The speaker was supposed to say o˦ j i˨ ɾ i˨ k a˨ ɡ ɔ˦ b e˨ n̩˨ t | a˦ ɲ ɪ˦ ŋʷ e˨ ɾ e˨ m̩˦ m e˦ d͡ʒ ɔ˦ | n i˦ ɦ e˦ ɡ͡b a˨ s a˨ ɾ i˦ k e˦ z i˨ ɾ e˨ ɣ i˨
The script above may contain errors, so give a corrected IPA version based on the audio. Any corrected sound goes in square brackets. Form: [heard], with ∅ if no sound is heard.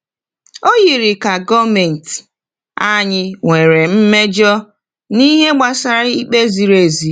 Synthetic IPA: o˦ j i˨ ɾ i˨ k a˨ ɡ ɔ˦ [m] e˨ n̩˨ t | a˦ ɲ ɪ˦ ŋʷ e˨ ɾ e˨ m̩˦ m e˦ d͡ʒ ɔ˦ | n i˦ ɦ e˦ ɡ͡b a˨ s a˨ ɾ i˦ [k͡p] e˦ z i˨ ɾ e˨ [z] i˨